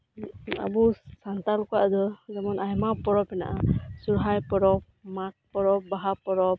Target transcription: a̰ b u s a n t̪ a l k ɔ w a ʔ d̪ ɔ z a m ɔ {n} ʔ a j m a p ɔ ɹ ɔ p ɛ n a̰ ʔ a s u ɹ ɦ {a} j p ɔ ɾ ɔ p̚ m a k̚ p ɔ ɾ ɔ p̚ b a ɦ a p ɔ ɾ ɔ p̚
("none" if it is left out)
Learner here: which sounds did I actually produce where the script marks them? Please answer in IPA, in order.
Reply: n, a

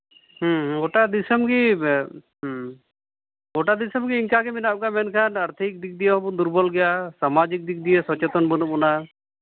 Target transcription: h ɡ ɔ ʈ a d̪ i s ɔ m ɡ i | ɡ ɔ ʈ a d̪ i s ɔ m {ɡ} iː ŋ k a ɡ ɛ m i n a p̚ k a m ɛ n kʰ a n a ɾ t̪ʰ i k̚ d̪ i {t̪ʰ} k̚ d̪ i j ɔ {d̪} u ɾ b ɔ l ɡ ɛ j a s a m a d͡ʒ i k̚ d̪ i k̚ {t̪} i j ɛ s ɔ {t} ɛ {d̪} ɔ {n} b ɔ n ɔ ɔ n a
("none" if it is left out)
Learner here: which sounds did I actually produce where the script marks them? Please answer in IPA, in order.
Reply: ɡ, none, d̪, d̪, t͡ʃ, t̪, n

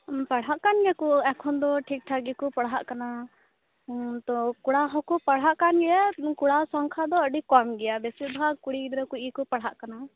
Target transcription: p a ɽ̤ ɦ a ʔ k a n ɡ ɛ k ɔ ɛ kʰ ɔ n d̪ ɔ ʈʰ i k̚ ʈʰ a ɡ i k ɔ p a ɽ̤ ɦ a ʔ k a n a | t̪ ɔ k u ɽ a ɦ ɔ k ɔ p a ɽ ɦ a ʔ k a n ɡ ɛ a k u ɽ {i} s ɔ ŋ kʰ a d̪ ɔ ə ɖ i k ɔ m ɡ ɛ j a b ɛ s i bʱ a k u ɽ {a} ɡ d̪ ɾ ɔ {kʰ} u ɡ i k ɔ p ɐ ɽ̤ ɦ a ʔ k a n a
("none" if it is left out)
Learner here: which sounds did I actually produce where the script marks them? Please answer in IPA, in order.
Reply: a, i, k

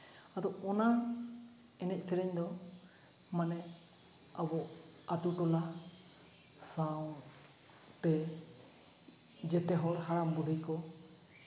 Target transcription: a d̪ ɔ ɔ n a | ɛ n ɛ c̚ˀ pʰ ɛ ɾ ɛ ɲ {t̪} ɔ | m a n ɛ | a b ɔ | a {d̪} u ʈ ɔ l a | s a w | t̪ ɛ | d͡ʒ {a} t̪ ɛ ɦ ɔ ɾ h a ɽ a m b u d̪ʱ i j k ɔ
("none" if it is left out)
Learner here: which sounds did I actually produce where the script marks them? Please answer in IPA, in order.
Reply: d̪, t̪, ɛ

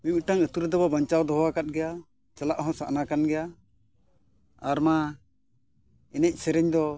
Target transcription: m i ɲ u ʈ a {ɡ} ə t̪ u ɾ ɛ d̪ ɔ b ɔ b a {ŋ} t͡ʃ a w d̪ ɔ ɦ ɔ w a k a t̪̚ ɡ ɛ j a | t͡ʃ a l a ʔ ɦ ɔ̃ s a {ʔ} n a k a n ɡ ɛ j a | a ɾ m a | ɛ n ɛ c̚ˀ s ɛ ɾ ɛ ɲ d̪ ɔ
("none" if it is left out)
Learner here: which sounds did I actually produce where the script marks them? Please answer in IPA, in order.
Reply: ŋ, ɲ, ʔ

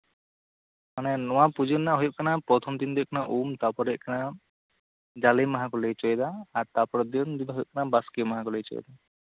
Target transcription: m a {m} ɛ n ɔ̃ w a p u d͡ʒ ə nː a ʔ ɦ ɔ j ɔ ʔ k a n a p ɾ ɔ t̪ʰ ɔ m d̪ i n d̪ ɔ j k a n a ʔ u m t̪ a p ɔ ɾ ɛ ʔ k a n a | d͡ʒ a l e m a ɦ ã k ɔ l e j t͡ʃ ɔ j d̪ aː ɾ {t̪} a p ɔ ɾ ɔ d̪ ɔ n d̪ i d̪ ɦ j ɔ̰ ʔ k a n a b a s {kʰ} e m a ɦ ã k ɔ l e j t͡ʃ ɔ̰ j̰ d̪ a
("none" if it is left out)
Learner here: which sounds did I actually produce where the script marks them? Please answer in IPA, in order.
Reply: n, t̪, k

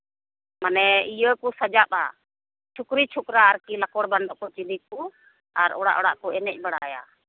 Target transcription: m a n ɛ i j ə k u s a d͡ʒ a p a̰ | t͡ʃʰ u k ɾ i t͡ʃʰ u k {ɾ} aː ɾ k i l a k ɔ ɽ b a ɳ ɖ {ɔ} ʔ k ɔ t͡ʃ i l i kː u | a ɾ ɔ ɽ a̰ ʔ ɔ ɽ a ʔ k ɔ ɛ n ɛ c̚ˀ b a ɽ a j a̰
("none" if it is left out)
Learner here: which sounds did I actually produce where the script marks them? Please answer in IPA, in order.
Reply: ɾ, ɔ

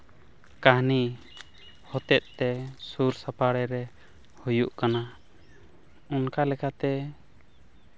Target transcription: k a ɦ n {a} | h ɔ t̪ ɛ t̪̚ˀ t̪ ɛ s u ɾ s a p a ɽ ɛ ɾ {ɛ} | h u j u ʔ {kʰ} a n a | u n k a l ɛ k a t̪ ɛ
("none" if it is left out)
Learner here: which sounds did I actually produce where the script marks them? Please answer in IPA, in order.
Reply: i, ɛ, k

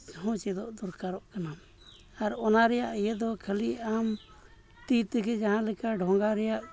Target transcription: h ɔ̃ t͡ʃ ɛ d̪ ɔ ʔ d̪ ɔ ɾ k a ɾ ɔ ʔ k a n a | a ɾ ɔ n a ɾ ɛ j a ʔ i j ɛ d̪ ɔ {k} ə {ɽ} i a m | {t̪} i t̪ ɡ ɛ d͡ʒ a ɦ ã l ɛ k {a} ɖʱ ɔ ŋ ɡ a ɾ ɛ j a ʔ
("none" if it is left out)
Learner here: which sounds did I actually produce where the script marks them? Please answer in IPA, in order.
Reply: kʰ, l, t̪, a

